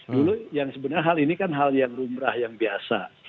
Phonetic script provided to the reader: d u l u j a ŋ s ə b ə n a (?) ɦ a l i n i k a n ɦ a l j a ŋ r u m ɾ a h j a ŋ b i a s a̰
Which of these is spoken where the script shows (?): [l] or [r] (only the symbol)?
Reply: r